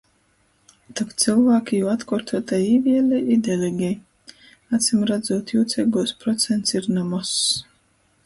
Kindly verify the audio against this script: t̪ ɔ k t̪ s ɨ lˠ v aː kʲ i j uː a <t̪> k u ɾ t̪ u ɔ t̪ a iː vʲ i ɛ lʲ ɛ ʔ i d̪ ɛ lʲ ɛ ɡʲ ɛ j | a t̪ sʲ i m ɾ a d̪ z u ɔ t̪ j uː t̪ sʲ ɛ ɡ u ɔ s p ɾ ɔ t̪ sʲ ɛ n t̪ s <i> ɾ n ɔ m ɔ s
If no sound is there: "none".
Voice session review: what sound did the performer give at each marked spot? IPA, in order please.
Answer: t̪, i

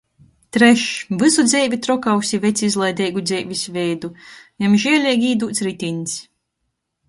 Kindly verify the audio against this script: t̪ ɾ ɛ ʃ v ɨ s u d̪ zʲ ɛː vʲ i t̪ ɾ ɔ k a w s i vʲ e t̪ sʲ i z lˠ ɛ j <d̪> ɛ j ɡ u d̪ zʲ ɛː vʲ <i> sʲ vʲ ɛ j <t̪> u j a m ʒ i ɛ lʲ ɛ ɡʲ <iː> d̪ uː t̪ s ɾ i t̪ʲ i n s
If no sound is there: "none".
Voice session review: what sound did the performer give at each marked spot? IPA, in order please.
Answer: d̪, i, d̪, iː

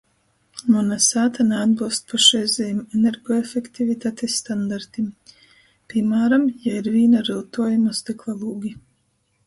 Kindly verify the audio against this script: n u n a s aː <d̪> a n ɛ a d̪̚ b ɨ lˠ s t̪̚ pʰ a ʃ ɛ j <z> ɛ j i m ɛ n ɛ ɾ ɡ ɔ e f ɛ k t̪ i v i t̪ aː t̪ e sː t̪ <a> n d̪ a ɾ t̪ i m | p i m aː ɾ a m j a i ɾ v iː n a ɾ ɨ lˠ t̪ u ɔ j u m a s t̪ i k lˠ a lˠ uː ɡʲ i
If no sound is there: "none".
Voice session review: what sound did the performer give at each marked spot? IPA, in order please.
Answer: t̪, z, a

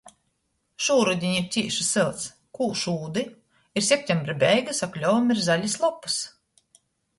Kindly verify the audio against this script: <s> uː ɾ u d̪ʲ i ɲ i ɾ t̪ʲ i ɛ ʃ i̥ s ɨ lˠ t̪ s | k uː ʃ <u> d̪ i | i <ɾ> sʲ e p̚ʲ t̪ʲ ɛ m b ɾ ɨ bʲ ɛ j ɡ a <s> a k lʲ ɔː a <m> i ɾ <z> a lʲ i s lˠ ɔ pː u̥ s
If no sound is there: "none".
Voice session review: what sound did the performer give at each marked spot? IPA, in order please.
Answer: ʃ, uː, ɾ, s, m, z

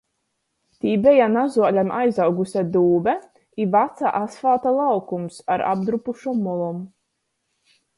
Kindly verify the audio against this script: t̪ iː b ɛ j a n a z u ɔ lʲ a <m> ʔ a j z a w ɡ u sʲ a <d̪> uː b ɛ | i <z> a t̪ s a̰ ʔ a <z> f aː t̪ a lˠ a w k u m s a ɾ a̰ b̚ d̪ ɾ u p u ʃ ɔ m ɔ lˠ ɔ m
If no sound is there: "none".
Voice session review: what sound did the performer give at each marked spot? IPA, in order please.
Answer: m, d̪, v, s

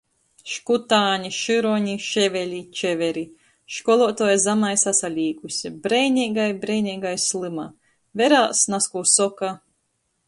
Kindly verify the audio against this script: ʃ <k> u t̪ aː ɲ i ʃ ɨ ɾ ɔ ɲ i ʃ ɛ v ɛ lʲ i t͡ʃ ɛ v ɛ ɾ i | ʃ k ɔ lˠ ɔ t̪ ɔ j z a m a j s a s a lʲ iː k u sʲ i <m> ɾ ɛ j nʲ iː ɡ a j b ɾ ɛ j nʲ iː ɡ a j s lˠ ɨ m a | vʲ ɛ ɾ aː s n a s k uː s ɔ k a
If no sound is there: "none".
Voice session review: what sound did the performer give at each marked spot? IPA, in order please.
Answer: k, b

